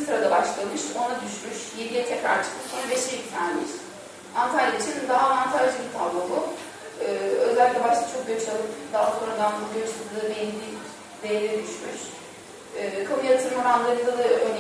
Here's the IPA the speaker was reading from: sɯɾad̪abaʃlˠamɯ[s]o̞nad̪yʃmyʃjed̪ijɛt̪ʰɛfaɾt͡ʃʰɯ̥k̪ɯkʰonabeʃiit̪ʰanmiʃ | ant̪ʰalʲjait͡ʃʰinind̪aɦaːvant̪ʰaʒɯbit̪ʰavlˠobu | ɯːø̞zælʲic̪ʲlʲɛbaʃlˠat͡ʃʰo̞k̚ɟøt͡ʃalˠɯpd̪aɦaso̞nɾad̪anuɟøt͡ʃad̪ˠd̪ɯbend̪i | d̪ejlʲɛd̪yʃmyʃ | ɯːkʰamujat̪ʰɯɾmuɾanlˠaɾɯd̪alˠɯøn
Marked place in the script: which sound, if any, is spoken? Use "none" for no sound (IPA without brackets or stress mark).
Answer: ʃ